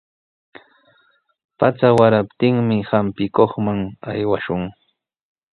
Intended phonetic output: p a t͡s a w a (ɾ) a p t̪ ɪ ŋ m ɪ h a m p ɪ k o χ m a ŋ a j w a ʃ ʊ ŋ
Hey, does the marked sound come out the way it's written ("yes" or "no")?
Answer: yes